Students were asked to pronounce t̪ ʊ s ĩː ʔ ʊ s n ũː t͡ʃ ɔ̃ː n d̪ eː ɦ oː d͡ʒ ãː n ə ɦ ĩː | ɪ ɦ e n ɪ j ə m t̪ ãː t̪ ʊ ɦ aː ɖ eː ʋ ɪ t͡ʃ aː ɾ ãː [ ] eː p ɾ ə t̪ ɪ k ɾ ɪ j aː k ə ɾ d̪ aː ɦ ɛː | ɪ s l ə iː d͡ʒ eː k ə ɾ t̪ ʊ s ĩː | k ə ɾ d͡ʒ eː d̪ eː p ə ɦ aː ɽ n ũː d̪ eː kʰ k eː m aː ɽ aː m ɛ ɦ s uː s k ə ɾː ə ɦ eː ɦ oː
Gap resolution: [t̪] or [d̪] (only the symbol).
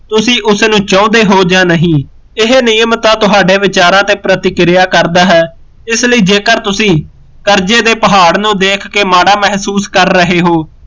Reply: t̪